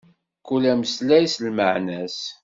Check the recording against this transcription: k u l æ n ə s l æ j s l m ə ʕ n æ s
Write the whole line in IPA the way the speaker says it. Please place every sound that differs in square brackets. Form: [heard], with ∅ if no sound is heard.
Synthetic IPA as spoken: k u l æ [m] ə s l æ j s l m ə ʕ n æ s